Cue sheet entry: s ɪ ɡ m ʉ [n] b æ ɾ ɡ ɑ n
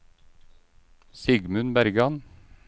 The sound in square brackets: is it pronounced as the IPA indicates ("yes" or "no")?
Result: yes